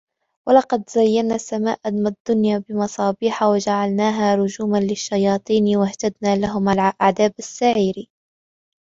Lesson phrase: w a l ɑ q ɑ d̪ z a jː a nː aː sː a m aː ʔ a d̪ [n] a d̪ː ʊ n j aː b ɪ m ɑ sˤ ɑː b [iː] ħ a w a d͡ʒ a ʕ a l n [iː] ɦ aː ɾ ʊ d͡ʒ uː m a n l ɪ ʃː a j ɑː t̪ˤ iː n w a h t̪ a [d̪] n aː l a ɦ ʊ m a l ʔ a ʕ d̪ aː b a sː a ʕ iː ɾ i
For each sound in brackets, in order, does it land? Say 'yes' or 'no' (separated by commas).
no, yes, no, yes